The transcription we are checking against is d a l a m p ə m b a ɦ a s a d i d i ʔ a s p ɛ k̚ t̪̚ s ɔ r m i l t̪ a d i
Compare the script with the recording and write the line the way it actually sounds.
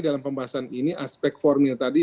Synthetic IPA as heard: d a l a m p ə m b a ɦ a s a n i n i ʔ a s p ɛ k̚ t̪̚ f ɔ r m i l t̪ a d i